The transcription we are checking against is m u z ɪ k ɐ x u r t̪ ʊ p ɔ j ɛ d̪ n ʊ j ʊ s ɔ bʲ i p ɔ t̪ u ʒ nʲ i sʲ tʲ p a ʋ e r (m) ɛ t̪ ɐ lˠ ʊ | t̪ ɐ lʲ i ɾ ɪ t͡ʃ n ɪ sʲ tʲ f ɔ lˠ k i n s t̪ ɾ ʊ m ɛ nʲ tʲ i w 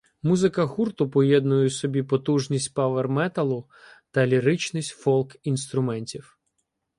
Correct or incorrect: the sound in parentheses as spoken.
correct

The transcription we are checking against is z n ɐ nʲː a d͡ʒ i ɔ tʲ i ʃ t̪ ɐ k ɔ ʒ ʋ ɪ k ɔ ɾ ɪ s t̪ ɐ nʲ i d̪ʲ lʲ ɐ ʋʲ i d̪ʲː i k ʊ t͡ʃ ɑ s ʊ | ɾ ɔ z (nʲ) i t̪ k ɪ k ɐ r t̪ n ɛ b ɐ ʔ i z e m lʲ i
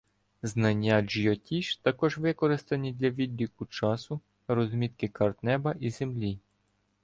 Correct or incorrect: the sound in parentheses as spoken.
incorrect: mʲ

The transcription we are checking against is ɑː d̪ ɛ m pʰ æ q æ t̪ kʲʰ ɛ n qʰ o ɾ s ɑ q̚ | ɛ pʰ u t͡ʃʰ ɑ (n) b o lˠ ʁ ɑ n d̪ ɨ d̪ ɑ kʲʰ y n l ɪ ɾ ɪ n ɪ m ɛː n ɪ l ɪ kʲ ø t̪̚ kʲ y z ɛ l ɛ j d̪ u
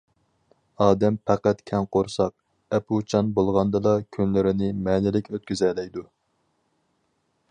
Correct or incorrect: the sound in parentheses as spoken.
correct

